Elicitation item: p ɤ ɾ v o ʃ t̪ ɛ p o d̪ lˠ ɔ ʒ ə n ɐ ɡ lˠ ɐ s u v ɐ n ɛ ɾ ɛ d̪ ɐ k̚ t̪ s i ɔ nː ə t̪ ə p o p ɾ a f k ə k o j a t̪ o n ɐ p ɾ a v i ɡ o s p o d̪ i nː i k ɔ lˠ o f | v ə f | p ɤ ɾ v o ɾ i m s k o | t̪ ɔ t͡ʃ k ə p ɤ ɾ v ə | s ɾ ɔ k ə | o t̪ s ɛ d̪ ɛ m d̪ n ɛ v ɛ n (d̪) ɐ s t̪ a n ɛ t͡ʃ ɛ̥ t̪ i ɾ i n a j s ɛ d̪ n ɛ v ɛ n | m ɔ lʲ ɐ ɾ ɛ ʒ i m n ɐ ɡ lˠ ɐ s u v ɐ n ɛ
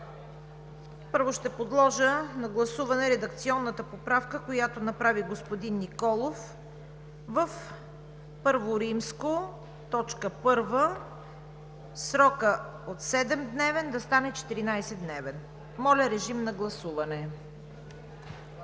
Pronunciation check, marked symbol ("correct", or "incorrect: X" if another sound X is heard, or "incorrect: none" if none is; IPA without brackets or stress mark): correct